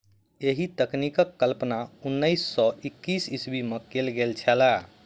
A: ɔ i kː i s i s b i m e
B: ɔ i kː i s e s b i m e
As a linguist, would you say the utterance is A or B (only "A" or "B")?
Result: A